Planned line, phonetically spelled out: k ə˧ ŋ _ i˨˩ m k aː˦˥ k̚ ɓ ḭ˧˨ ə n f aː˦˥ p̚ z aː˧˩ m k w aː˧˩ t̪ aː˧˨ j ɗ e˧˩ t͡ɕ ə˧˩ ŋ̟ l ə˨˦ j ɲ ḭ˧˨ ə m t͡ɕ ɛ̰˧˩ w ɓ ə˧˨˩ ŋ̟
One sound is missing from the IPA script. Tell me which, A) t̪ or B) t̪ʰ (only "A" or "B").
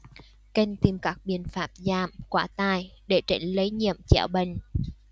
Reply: A